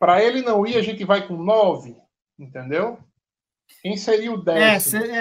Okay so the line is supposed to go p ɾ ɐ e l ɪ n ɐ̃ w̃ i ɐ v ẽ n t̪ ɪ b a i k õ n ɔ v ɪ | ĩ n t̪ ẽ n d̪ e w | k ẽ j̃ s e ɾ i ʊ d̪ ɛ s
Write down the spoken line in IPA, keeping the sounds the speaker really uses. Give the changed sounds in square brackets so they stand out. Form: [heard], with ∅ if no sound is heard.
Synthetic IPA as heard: p ɾ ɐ e l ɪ n ɐ̃ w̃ i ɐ [ʒ] ẽ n t̪ ɪ [v] a [j] k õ n ɔ v ɪ | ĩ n t̪ ẽ n d̪ e w | k ẽ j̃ s e ɾ i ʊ d̪ ɛ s